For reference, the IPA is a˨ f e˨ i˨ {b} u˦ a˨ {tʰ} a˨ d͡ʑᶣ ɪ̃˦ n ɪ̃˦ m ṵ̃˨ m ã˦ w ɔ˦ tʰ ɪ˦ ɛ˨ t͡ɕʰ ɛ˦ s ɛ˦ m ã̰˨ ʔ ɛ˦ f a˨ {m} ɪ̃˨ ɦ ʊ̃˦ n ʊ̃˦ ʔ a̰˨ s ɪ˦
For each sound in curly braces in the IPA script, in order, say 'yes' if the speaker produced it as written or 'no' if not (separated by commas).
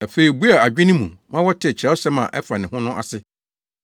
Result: yes, no, no